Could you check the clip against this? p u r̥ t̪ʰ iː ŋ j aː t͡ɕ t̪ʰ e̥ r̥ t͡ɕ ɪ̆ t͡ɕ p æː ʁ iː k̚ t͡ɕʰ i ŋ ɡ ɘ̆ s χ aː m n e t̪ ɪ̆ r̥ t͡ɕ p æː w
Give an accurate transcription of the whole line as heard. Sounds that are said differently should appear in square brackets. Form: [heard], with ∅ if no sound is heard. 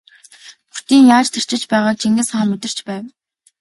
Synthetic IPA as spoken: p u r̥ [t̪] iː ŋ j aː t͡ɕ t̪ʰ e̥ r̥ t͡ɕ ɪ̆ t͡ɕ p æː ʁ [aː] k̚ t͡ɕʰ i ŋ ɡ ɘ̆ s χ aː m [m] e t̪ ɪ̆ r̥ t͡ɕ p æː w